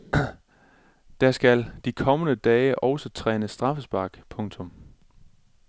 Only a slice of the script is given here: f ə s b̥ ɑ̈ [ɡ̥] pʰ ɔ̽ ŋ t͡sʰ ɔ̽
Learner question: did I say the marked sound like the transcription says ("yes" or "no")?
yes